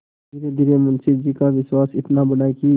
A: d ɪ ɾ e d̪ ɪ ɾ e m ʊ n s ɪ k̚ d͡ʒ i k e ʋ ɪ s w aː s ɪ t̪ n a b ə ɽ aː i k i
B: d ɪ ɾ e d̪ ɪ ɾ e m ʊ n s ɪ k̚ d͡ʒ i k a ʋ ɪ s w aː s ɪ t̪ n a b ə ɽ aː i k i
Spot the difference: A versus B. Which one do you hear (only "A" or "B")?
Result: B